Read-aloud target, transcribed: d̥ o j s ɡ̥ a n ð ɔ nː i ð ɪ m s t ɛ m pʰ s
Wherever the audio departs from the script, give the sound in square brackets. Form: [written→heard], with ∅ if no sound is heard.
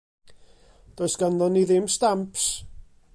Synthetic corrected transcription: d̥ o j s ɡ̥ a n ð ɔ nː i ð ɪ m s t [ɛ→a] m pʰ s